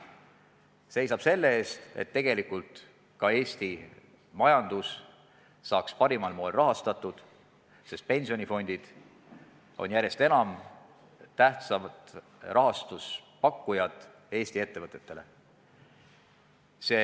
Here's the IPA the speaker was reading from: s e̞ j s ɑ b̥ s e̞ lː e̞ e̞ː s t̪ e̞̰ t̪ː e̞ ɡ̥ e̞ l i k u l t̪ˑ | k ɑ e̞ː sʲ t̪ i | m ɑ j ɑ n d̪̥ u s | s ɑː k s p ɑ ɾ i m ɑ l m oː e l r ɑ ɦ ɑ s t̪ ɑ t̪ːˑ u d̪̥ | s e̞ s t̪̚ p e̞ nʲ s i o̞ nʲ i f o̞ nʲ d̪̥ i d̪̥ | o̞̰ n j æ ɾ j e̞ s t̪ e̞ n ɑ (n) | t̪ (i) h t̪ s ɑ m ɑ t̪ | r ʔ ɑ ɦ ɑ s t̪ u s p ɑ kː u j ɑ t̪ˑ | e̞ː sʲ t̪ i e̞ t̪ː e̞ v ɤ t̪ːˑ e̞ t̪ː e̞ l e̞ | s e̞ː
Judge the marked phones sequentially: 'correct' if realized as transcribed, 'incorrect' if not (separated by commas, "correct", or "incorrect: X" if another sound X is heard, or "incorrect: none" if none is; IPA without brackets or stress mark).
incorrect: m, incorrect: æ